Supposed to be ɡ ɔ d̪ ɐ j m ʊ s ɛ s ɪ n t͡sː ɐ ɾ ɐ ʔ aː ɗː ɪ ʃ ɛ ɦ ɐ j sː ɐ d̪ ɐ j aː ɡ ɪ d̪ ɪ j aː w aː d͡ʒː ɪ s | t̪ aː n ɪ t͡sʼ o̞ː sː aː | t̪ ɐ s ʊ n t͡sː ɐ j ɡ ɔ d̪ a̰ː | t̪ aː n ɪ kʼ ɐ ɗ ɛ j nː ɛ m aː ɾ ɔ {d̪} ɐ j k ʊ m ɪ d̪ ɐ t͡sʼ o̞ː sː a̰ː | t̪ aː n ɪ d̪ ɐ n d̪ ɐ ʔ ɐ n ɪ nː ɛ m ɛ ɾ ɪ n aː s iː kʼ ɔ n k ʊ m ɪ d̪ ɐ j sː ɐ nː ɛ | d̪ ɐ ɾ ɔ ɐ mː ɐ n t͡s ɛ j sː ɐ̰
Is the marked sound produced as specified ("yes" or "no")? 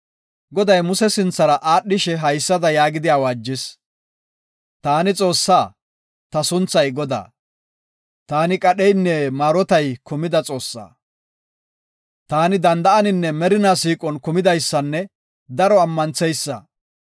no